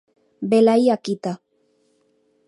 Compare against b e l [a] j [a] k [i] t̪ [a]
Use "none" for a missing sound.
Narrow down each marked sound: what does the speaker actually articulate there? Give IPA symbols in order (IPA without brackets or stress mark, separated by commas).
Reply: a, a, i, a